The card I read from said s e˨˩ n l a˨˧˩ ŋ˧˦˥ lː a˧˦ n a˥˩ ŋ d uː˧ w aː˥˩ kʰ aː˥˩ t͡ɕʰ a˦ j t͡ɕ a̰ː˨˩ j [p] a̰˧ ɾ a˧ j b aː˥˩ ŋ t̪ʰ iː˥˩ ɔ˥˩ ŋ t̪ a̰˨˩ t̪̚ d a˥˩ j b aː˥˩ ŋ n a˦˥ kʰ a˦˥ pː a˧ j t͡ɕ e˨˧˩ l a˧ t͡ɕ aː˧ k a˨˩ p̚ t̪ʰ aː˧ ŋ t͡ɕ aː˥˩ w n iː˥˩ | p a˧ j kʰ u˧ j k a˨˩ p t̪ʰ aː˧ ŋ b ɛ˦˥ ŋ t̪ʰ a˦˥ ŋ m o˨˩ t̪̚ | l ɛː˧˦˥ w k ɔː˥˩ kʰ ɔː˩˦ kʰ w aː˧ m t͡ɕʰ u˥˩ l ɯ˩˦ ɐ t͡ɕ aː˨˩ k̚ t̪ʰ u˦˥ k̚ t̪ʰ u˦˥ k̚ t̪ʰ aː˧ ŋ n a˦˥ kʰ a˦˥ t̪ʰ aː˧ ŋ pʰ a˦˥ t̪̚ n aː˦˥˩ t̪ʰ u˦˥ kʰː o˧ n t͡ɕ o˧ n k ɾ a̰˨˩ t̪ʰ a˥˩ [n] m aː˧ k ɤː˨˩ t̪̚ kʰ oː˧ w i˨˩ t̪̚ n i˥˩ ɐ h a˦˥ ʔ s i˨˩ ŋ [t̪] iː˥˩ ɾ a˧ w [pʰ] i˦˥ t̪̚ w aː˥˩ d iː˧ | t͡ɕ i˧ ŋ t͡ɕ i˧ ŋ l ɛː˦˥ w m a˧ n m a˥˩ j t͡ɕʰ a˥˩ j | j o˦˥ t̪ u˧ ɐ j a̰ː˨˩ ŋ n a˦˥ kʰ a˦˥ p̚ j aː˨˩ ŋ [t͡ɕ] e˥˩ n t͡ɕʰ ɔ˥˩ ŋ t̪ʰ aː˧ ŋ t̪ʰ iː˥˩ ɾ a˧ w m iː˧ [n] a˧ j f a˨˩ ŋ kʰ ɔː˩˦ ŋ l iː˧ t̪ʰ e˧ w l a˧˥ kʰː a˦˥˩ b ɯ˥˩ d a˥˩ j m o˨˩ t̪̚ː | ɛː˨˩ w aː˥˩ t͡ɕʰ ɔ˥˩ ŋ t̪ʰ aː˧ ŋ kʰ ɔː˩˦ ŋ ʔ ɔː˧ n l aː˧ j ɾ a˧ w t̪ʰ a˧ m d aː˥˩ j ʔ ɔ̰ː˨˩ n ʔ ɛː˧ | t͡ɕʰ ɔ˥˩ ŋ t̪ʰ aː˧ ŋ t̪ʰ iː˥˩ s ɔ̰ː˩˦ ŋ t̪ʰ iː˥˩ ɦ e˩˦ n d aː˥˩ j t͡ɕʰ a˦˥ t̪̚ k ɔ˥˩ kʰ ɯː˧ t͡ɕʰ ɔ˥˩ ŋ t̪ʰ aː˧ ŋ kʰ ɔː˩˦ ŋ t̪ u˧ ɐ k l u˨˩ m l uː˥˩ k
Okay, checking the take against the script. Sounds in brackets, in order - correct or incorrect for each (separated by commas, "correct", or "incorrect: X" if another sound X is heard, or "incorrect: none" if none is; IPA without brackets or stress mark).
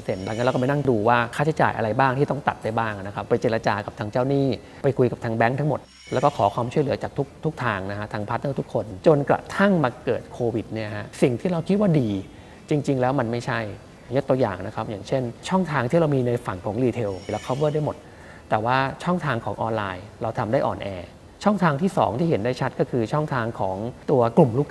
incorrect: ʔ, incorrect: ŋ, incorrect: t̪ʰ, incorrect: kʰ, incorrect: t͡ɕʰ, correct